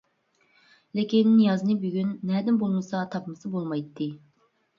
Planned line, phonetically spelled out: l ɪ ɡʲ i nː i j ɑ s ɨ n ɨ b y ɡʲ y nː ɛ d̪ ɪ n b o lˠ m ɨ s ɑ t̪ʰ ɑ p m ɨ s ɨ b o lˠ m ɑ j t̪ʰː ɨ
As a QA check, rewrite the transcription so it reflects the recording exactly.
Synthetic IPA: l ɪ kʲ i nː i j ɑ z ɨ n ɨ b y ɡʲ y nː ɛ d̪ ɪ n b o lˠ m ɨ s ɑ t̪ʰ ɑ p m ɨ s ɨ b o lˠ m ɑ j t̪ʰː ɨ